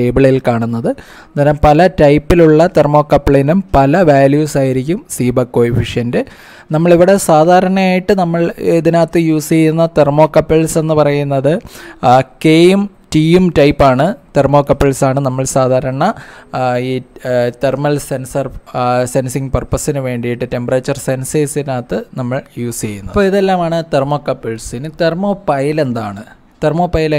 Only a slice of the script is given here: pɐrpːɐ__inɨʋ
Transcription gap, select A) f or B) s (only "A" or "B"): B